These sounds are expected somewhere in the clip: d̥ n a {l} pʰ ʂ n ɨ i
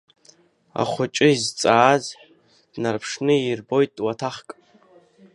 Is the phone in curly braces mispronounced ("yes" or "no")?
yes